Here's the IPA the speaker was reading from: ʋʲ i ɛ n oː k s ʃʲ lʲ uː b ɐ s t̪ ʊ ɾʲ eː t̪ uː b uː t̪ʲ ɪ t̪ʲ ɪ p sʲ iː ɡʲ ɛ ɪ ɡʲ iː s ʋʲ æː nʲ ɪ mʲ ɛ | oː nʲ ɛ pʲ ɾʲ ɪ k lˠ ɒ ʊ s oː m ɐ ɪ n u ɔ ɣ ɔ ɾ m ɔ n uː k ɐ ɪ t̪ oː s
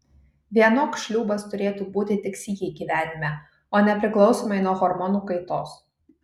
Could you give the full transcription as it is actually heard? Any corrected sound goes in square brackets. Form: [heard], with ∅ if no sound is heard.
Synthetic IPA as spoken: ʋʲ i ɛ n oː k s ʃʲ lʲ uː b ɐ s t̪ ʊ ɾʲ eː t̪ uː b uː t̪ʲ ɪ t̪ʲ ɪ [k] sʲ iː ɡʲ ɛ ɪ ɡʲ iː [∅] ʋʲ æː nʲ ɪ mʲ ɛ | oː nʲ ɛ pʲ ɾʲ ɪ k lˠ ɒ ʊ s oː m ɐ ɪ n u ɔ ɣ ɔ ɾ m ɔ n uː k ɐ ɪ t̪ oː s